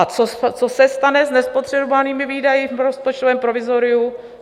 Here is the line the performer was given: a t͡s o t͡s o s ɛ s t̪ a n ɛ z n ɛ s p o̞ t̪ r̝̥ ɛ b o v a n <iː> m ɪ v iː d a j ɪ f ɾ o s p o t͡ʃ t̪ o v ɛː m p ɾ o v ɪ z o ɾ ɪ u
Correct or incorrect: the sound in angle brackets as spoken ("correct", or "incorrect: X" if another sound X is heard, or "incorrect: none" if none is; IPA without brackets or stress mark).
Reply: correct